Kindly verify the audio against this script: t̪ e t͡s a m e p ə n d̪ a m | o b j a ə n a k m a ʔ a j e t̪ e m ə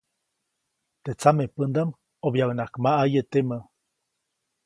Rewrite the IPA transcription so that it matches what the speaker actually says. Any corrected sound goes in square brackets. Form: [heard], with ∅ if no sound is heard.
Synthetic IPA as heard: t̪ e t͡s a m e p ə n d̪ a m | o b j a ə n a k m a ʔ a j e t̪ e m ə